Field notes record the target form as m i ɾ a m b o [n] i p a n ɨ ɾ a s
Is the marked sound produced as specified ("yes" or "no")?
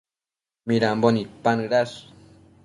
yes